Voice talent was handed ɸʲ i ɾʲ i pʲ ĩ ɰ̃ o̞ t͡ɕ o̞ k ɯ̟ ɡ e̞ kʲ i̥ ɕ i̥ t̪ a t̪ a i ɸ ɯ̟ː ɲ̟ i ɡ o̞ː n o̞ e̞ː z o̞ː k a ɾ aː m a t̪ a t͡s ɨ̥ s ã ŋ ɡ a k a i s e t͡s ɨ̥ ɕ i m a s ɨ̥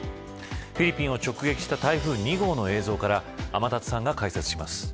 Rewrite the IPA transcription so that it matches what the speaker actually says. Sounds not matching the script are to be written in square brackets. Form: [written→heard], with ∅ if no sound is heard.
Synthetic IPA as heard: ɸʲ i ɾʲ i pʲ ĩ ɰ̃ o̞ t͡ɕ o̞ k ɯ̟ ɡ e̞ kʲ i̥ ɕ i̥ t̪ a t̪ a i ɸ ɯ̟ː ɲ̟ i ɡ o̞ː n o̞ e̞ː z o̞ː k a ɾ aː m a t̪ a t͡s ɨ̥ s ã ŋ ɡ a k a i s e t͡s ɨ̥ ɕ i m a s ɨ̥